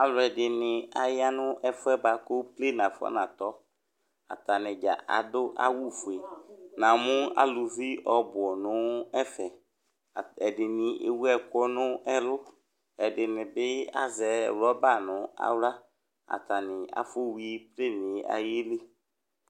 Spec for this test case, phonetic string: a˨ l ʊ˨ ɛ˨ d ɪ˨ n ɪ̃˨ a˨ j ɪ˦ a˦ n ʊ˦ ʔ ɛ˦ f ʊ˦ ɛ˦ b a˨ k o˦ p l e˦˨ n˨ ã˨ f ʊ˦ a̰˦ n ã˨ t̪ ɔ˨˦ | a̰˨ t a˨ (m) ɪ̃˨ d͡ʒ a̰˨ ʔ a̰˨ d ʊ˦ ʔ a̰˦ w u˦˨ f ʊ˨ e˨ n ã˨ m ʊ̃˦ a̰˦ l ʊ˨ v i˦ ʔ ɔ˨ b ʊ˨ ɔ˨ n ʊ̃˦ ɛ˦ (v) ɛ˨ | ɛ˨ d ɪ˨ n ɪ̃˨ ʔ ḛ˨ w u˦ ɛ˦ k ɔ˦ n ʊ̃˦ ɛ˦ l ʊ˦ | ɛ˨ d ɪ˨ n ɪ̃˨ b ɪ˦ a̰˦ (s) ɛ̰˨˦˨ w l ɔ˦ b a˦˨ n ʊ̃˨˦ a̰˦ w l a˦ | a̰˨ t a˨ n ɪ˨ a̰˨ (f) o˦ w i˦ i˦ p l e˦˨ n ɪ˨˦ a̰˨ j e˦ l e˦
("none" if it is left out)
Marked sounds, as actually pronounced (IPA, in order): n, f, z, f

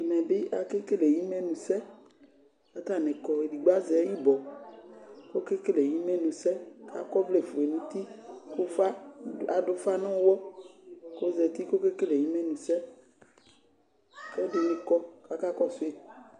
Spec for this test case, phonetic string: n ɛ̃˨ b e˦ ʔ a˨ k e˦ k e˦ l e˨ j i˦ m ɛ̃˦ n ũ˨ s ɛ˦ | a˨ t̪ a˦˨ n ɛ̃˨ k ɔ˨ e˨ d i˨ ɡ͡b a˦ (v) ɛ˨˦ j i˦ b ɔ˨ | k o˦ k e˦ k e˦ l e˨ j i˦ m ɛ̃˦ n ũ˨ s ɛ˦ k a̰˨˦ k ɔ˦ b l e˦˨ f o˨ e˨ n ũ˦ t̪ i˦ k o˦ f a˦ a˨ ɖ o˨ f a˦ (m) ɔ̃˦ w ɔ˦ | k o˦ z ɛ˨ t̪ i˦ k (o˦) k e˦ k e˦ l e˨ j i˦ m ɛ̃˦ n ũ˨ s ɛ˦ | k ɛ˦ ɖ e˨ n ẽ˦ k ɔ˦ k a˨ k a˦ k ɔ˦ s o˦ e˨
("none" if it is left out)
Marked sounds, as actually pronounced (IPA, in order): z, n, o˦

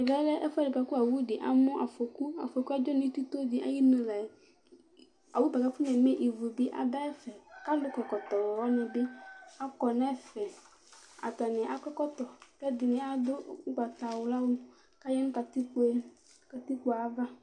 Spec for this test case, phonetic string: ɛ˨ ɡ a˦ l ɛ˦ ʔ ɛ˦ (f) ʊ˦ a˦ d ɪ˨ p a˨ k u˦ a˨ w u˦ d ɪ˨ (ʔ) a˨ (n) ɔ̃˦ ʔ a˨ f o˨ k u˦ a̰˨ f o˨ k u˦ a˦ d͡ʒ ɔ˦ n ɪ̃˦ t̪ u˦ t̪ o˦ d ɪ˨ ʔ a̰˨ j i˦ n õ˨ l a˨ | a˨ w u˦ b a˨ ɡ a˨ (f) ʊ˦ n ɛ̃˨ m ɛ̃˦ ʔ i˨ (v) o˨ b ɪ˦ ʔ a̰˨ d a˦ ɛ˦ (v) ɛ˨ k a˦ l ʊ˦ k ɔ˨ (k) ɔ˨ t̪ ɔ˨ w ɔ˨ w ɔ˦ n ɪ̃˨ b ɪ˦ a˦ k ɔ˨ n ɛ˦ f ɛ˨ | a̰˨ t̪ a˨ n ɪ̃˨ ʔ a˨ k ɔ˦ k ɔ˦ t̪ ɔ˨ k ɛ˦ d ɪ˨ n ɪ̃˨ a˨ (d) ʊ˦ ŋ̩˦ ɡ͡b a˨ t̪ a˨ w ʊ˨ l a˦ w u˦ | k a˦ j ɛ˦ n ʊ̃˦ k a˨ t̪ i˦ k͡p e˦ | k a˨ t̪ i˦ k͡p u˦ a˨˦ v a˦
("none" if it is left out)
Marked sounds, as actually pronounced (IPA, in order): f, ʔ, m, f, v, f, k, d

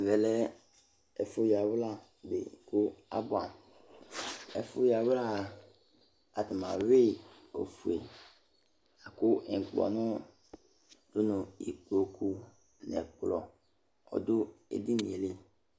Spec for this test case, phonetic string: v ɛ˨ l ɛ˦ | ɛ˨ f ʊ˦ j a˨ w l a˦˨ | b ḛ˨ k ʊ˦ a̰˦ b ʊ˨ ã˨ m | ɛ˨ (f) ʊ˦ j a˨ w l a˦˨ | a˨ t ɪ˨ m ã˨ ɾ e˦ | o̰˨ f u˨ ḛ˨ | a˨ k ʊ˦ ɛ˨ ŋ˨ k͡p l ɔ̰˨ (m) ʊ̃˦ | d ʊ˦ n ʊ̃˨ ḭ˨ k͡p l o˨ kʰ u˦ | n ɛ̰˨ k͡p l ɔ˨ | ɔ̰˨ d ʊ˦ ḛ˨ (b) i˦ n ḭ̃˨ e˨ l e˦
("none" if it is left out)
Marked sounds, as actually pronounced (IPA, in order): f, n, d

